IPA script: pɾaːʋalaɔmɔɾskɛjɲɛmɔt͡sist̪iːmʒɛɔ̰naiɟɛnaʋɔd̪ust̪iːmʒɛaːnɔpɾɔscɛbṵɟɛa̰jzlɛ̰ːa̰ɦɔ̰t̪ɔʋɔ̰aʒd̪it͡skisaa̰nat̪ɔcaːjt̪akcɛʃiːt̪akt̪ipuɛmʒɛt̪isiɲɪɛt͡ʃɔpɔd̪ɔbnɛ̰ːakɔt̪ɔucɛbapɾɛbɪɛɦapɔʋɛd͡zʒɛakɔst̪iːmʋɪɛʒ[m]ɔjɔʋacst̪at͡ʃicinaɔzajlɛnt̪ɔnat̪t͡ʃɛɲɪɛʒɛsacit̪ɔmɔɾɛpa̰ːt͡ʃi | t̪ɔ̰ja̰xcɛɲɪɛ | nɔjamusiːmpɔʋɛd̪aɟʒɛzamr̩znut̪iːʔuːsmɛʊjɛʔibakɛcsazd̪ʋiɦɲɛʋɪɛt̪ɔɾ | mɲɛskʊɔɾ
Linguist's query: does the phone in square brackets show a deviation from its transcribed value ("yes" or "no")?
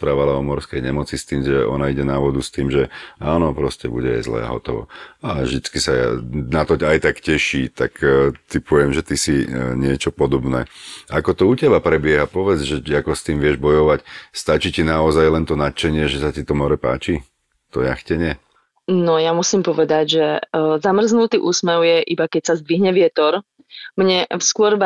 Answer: yes